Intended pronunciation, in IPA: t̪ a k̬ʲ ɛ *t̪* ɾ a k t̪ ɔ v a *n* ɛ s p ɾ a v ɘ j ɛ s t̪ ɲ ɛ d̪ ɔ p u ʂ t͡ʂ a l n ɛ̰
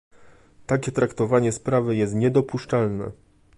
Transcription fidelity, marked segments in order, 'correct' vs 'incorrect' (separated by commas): correct, incorrect